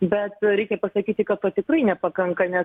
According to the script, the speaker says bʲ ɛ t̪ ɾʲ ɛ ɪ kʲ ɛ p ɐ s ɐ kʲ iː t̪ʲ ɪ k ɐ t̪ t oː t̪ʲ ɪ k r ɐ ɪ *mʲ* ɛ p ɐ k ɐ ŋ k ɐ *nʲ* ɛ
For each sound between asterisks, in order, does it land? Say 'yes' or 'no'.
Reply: no, yes

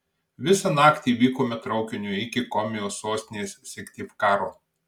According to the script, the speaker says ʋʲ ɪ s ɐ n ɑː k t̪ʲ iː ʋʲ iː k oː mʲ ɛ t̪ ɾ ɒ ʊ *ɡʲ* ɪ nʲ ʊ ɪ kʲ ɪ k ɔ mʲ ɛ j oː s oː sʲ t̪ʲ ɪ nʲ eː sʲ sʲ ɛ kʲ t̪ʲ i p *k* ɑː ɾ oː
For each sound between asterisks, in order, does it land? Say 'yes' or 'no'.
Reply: no, yes

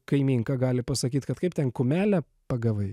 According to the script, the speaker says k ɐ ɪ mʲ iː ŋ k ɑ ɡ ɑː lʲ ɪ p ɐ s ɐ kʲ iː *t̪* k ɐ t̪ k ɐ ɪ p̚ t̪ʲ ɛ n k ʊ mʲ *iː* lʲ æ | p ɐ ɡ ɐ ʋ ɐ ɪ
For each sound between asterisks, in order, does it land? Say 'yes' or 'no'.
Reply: yes, no

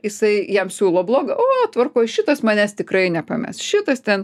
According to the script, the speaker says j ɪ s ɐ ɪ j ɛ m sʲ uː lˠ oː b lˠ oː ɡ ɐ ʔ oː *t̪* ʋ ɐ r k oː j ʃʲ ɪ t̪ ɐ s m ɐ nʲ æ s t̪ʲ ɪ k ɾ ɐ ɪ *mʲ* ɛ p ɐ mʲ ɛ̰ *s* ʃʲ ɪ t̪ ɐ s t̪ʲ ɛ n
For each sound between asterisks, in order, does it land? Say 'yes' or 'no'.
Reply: yes, no, yes

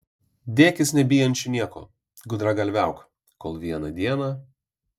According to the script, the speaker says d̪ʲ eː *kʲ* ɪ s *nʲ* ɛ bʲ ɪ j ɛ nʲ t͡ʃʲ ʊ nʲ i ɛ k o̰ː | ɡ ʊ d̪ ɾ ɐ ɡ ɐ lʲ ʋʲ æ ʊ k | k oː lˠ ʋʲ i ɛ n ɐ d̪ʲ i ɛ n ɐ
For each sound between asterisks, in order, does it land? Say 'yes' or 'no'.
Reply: yes, yes

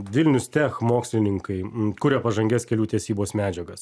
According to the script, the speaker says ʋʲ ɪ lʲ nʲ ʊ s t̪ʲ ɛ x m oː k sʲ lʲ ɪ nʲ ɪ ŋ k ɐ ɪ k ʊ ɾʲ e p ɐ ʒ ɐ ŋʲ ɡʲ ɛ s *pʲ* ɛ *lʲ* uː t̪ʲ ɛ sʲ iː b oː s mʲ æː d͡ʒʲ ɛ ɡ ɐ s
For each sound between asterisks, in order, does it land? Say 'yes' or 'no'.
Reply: no, yes

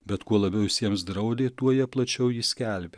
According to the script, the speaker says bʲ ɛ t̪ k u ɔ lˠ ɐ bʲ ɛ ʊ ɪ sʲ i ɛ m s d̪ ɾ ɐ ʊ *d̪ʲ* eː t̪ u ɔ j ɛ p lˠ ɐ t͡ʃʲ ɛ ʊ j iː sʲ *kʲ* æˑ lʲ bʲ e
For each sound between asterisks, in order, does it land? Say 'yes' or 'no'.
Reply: yes, yes

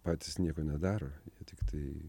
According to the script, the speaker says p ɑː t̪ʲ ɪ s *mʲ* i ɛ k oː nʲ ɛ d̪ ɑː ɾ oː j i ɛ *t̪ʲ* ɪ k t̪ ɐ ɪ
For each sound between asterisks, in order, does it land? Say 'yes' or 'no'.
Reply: no, yes

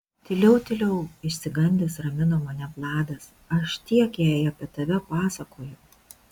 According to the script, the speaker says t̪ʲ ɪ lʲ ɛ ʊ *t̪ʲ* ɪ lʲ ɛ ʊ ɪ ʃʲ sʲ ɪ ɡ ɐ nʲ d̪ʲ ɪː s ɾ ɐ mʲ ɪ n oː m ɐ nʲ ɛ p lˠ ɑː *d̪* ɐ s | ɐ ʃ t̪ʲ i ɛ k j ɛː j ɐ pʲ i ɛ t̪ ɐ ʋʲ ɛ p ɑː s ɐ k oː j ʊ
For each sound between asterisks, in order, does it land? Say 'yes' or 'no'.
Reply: yes, yes

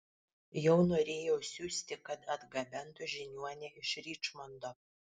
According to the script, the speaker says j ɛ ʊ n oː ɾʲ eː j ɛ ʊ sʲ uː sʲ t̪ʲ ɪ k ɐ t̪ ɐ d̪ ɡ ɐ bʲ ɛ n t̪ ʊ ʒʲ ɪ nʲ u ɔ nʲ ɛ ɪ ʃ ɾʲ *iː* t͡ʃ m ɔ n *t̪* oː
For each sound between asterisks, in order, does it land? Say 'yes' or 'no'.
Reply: yes, no

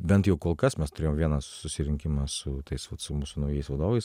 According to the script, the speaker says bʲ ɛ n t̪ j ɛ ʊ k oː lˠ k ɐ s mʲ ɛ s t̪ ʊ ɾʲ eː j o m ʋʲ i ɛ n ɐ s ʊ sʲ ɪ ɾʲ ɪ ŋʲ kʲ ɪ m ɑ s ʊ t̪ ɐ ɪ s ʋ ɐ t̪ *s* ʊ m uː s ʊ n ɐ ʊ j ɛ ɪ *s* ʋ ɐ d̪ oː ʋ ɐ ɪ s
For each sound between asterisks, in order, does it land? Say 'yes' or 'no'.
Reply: yes, yes

